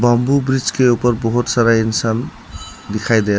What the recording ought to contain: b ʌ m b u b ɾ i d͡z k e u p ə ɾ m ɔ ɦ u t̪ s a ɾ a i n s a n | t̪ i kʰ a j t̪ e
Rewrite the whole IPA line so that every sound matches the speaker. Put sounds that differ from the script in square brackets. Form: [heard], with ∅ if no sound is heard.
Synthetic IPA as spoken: b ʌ m b u b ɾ i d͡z k e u p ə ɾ [b] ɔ ɦ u t̪ s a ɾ a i n s a n | [d̪] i kʰ a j [d̪] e